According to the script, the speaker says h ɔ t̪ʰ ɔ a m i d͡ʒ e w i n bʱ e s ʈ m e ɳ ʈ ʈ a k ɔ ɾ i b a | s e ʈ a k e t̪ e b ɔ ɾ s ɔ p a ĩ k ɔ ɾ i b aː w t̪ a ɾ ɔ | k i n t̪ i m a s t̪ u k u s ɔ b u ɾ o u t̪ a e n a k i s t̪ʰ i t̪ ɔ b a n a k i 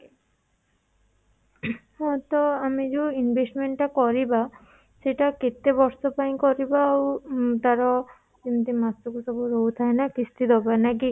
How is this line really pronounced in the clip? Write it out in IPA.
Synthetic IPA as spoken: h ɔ t̪ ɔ a m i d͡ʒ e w i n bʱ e s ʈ m e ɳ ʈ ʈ a k ɔ ɾ i b a | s e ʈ a k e t̪ e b ɔ ɾ s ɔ p a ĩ k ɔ ɾ i b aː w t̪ a ɾ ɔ | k i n t̪ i m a s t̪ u k u s ɔ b u ɾ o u t̪ʰ a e n a k i s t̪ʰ i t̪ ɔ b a n a k i